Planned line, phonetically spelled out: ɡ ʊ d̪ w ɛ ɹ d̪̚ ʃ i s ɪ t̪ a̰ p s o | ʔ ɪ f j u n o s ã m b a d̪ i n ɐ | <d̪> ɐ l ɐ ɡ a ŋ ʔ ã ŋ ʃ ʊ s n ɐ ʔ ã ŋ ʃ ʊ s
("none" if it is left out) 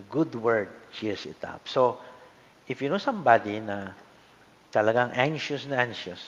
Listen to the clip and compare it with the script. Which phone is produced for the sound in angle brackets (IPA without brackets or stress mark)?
t̪